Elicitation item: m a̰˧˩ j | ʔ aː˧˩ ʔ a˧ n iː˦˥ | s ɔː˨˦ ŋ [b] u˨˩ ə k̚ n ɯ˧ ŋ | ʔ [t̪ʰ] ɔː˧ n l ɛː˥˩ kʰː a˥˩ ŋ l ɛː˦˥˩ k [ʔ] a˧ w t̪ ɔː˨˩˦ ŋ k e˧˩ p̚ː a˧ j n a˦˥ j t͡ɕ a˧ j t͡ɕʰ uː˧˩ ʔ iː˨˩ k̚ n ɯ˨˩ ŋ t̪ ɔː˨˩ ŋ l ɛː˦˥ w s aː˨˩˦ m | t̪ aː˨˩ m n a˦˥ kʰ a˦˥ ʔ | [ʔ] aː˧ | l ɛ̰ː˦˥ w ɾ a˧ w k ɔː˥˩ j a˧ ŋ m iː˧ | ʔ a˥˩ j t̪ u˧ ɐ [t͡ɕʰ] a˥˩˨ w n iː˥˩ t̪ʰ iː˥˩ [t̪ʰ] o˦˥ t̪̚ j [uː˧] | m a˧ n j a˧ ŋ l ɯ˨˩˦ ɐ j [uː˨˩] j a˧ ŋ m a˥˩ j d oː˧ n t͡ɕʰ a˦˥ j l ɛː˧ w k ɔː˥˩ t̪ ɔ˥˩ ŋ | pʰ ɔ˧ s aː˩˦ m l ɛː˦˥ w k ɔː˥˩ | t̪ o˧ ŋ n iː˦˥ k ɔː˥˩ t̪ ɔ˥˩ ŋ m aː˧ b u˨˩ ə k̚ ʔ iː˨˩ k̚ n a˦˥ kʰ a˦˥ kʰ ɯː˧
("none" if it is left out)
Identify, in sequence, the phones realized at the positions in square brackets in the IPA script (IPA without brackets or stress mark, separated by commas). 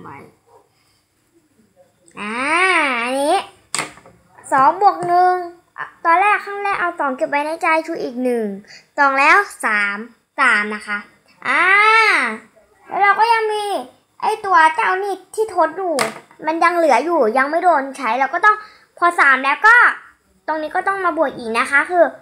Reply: b, t̪, ʔ, ʔ, t͡ɕ, t̪ʰ, uː˨˩, uː˨˩